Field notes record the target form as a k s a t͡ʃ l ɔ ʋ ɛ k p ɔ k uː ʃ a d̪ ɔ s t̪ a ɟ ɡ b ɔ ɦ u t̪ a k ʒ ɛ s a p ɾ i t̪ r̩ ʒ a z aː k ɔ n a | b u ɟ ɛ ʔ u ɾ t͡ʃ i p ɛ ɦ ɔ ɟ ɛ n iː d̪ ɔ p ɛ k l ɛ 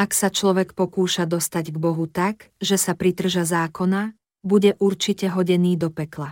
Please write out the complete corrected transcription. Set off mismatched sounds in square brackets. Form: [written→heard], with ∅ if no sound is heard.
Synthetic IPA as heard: a k s a t͡ʃ l ɔ ʋ ɛ k p ɔ k uː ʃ a d̪ ɔ s t̪ a ɟ ɡ b ɔ ɦ u t̪ a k ʒ ɛ s a p ɾ i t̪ r̩ ʒ a z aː k ɔ n a | b u ɟ ɛ ʔ u ɾ t͡ʃ i [p→c] ɛ ɦ ɔ ɟ ɛ n iː d̪ ɔ p ɛ k l [ɛ→a]